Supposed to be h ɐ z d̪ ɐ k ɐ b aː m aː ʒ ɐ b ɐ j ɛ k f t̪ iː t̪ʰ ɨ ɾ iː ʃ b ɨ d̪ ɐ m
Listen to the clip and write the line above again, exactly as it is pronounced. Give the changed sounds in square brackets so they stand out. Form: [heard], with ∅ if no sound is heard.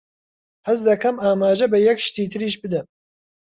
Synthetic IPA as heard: h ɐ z d̪ ɐ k ɐ [m] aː m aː ʒ ɐ b ɐ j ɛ k [ʃ] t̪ iː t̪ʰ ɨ ɾ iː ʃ b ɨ d̪ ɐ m